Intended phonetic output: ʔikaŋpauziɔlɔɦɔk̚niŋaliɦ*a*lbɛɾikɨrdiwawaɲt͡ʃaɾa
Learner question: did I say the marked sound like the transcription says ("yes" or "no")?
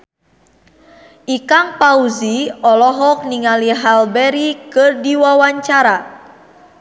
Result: yes